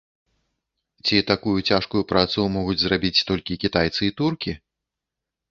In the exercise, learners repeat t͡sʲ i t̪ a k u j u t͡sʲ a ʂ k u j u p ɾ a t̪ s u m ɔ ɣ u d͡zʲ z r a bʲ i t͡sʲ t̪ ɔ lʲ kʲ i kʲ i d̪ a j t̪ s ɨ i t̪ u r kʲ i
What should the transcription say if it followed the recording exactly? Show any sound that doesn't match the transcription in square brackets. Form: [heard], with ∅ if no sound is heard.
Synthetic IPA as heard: t͡sʲ i t̪ a k u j u t͡sʲ a ʂ k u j u p ɾ a t̪ s u m ɔ ɣ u d͡zʲ z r a bʲ i t͡sʲ t̪ ɔ lʲ kʲ i kʲ i [t̪] a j t̪ s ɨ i t̪ u r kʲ i